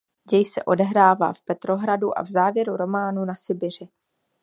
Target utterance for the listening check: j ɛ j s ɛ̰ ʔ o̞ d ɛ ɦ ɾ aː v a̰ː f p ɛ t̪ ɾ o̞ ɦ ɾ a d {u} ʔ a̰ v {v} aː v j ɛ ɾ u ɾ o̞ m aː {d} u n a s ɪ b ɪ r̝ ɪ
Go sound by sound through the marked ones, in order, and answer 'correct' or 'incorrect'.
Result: correct, incorrect: z, incorrect: n

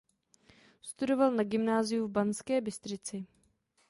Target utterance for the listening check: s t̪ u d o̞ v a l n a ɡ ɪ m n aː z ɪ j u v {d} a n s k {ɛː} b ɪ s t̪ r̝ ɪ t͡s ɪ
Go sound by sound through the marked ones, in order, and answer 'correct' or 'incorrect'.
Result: incorrect: b, correct

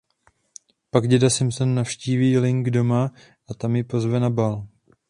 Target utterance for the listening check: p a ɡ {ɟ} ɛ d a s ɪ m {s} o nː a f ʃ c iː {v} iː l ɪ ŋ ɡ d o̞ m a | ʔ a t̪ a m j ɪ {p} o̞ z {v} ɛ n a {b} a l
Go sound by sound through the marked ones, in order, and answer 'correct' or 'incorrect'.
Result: correct, correct, correct, correct, correct, correct

